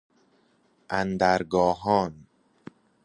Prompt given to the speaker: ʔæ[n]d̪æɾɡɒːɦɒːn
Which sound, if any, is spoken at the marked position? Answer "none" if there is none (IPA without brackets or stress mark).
n